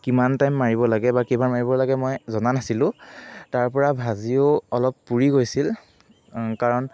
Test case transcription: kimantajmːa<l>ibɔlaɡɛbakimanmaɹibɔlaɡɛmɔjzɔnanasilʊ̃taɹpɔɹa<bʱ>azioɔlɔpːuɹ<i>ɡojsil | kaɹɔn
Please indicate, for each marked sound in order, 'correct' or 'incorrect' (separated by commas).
incorrect, correct, correct